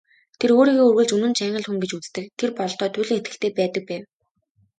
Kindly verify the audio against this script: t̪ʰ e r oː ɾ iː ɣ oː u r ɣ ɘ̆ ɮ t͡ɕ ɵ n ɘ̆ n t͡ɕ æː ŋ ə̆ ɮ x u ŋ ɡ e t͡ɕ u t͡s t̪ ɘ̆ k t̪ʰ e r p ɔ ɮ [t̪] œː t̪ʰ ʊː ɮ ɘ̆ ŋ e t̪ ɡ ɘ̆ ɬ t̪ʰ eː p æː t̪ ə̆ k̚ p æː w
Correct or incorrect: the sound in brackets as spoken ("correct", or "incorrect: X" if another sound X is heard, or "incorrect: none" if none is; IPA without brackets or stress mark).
correct